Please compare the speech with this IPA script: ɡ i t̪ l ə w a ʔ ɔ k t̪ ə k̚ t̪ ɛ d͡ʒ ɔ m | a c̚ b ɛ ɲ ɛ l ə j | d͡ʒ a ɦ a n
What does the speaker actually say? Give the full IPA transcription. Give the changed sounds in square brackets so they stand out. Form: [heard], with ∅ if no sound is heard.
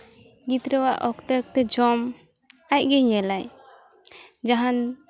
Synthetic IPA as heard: ɡ i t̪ [ɾ] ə w a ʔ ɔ k t̪ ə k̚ t̪ ɛ d͡ʒ ɔ m | a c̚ [ɡ] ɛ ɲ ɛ l [a] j | d͡ʒ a ɦ a n

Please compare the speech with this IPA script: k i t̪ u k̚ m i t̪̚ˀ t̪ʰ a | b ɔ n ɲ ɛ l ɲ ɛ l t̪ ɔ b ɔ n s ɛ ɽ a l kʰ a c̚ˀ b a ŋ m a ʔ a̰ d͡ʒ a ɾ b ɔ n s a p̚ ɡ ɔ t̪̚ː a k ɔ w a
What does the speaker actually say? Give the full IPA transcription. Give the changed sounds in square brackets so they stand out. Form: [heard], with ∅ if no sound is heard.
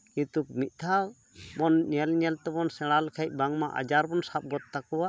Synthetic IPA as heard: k i t̪ u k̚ m i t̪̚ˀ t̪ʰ a | b ɔ n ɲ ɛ l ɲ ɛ l t̪ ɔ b ɔ n s ɛ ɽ a l kʰ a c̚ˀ b a ŋ m a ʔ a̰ d͡ʒ a ɾ b ɔ n s a p̚ ɡ ɔ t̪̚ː a k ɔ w a

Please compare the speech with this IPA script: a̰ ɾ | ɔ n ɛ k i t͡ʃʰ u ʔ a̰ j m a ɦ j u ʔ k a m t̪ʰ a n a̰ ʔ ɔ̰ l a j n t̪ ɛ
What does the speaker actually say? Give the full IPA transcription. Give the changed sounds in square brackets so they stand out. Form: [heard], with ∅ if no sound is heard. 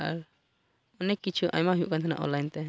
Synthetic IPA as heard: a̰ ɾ | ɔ n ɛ k i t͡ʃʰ u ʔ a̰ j m a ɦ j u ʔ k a [n] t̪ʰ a n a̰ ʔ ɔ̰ l a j n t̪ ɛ

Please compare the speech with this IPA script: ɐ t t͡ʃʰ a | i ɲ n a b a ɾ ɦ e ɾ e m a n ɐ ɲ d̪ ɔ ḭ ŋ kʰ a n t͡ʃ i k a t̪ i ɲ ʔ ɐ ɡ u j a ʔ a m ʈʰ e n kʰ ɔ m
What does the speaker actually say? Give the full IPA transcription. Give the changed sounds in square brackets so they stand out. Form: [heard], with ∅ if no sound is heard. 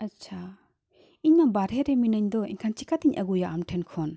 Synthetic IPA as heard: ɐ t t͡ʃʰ a | i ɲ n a b a ɾ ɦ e ɾ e m [i] n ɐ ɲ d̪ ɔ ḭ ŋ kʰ a n t͡ʃ i k a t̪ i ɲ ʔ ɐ ɡ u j a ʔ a m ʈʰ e n kʰ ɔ [n]

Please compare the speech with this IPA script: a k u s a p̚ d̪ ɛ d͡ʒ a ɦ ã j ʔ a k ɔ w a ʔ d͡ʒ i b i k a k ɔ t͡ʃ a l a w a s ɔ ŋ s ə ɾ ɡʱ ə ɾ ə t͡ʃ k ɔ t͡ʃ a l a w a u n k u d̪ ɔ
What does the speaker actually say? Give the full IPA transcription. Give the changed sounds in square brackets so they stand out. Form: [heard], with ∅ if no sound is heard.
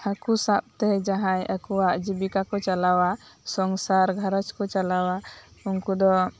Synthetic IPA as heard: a k u s a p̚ [t̪] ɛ d͡ʒ a ɦ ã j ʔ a k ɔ w a ʔ d͡ʒ i b i k a k ɔ t͡ʃ a l a w a s ɔ ŋ s [a] ɾ ɡʱ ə ɾ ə t͡ʃ k ɔ t͡ʃ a l a w a u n k u d̪ ɔ

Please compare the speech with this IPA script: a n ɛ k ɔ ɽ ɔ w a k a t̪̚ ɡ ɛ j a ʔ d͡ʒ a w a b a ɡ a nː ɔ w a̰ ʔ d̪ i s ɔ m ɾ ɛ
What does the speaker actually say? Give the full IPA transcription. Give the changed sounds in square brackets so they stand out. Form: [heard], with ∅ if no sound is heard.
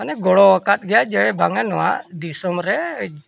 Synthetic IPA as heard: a n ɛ [ɡ] ɔ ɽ ɔ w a k a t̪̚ ɡ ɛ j a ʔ d͡ʒ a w [ɛ] b a [ŋ] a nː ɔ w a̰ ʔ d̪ i s ɔ m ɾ ɛ

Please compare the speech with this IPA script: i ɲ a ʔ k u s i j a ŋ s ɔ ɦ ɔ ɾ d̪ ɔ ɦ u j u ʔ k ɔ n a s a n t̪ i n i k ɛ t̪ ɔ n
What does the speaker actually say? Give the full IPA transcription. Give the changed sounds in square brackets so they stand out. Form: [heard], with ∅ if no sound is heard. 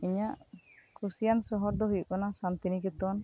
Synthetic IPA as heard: i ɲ a ʔ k u s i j a [n] s ɔ ɦ ɔ ɾ d̪ ɔ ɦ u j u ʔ k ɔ n a s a n t̪ i n i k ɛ t̪ ɔ n

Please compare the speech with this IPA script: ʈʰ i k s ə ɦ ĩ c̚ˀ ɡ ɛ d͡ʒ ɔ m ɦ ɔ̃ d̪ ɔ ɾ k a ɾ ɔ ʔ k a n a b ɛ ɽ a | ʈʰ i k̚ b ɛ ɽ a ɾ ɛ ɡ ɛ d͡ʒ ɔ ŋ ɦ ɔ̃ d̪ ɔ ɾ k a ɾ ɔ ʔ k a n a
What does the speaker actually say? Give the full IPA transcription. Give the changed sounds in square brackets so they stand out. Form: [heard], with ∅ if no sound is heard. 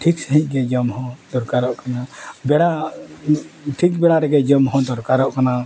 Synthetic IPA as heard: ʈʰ i k s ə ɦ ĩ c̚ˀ ɡ ɛ d͡ʒ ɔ m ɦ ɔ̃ d̪ ɔ ɾ k a ɾ ɔ ʔ k a n a b ɛ ɽ a | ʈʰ i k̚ b ɛ ɽ a ɾ ɛ ɡ ɛ d͡ʒ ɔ [m] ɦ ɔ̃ d̪ ɔ ɾ k a ɾ ɔ ʔ k a n a

